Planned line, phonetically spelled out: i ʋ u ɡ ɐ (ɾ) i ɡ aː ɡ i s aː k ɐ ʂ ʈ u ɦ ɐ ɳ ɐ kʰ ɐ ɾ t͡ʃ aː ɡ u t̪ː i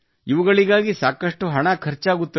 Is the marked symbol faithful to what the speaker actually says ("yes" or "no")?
no